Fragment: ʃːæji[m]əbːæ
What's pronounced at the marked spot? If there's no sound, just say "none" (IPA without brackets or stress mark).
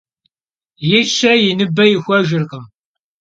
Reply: n